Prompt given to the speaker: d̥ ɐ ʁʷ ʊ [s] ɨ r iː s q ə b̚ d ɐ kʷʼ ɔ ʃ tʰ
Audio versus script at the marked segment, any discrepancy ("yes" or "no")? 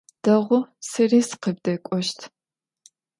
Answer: no